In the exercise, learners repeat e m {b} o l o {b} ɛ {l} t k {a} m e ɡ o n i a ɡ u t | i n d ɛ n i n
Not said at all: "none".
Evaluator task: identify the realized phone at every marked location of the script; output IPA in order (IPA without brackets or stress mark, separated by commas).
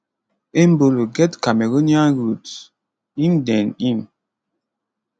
b, ɡ, none, a